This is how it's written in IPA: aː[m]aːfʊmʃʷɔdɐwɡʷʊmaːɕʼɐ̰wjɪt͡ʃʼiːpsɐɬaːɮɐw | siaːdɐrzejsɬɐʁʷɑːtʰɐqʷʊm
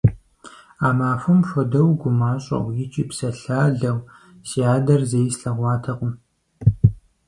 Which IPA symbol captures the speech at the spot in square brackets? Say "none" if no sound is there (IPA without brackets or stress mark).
m